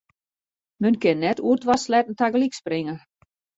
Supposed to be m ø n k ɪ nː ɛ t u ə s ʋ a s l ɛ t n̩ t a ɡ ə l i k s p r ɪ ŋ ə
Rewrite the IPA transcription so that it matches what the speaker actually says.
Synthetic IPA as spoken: m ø n k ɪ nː ɛ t u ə t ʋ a s l ɛ t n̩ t a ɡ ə l i k s p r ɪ ŋ ə